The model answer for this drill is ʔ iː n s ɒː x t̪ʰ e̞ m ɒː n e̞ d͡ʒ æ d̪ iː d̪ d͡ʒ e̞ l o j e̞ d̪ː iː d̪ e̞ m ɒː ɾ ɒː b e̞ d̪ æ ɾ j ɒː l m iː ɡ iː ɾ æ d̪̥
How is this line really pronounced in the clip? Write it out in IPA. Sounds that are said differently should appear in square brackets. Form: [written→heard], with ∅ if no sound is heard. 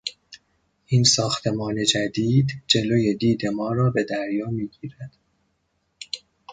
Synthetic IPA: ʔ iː n s ɒː x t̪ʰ e̞ m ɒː n e̞ d͡ʒ æ d̪ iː d̪ d͡ʒ e̞ l o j e̞ [d̪ː→d̪] iː d̪ e̞ m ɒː ɾ ɒː b e̞ d̪ æ ɾ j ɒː [l→∅] m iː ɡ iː ɾ æ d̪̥

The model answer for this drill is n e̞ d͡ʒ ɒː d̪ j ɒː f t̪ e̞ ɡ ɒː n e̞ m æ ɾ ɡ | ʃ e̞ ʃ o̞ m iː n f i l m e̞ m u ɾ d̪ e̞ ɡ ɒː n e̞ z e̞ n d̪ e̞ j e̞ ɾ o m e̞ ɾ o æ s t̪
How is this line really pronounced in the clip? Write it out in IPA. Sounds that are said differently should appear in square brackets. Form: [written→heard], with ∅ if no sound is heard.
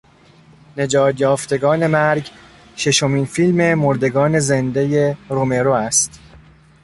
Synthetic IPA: n e̞ d͡ʒ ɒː [d̪→t̪] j ɒː f t̪ e̞ ɡ ɒː n e̞ m æ ɾ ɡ | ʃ e̞ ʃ o̞ m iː n f i l m e̞ m [u→o] ɾ d̪ e̞ ɡ ɒː n e̞ z e̞ n d̪ e̞ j e̞ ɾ o m e̞ ɾ o æ s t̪

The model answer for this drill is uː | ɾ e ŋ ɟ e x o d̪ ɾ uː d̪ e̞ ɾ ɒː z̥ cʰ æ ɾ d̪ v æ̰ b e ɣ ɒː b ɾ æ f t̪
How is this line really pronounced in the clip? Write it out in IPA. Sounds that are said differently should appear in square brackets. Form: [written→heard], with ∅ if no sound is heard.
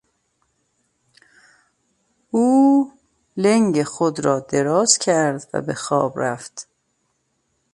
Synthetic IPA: uː | [ɾ→l] e ŋ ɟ e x o d̪ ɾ [uː→ɒː] d̪ e̞ ɾ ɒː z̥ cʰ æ ɾ d̪ v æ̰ b e [ɣ→x] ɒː b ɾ æ f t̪

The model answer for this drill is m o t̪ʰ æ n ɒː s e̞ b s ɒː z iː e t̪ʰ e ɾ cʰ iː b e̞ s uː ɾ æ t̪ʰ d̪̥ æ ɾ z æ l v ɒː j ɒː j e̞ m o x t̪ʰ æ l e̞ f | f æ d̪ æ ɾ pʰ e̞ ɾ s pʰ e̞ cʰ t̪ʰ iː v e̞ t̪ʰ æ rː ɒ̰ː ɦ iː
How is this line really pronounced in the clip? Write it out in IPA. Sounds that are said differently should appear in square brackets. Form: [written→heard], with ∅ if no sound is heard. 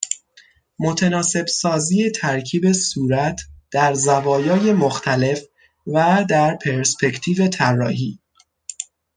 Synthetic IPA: m o t̪ʰ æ n ɒː s e̞ b s ɒː z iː e t̪ʰ [e→æ] ɾ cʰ iː b e̞ s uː ɾ æ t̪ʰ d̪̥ æ ɾ z æ [l→∅] v ɒː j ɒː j e̞ m o x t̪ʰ æ l e̞ f | [f→v] æ d̪ æ ɾ pʰ e̞ ɾ s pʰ e̞ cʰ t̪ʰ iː v e̞ t̪ʰ æ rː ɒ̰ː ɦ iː

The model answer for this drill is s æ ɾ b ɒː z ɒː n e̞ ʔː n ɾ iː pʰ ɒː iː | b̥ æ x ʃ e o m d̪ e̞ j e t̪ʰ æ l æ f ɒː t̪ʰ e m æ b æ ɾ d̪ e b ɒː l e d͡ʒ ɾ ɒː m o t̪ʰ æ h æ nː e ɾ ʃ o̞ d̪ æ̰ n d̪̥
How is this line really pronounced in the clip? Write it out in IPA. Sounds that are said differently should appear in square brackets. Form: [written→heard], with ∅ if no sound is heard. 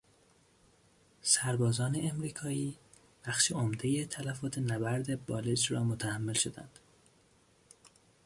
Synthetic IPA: s æ ɾ b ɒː z ɒː n e̞ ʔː [n→m] ɾ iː [pʰ→kʰ] ɒː iː | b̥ æ x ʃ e o m d̪ e̞ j e t̪ʰ æ l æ f ɒː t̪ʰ e [m→n] æ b æ ɾ d̪ e b ɒː l e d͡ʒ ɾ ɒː m o t̪ʰ æ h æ [nː→mː] e [ɾ→l] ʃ o̞ d̪ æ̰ n d̪̥

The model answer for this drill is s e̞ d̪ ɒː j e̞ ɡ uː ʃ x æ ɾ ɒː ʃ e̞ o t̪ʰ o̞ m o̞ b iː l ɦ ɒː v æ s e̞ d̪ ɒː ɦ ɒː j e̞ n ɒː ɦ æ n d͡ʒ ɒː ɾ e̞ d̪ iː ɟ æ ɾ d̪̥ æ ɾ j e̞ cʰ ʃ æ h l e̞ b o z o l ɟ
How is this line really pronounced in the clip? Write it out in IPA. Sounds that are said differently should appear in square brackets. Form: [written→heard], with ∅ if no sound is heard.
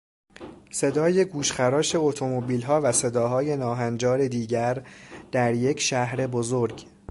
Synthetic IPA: s e̞ d̪ ɒː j e̞ ɡ uː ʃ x æ ɾ ɒː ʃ e̞ o t̪ʰ o̞ m o̞ b iː l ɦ ɒː v æ s e̞ d̪ ɒː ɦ ɒː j e̞ n ɒː ɦ æ n d͡ʒ ɒː ɾ e̞ d̪ iː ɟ æ ɾ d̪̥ æ ɾ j e̞ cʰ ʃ æ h [l→ɾ] e̞ b o z o [l→ɾ] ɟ

